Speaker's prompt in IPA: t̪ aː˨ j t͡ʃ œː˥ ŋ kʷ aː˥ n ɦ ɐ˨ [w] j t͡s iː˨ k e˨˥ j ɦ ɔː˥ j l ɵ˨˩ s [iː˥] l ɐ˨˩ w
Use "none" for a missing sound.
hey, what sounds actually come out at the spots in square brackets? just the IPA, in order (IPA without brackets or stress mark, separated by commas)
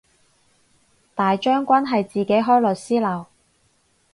none, iː˥